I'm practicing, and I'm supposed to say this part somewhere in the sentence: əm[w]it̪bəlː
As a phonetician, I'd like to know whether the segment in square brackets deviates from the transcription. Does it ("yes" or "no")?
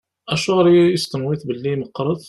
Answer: no